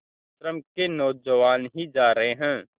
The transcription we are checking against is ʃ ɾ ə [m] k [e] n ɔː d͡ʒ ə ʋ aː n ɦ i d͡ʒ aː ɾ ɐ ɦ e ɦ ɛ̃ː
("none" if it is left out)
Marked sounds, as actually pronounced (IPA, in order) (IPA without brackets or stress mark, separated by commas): m, e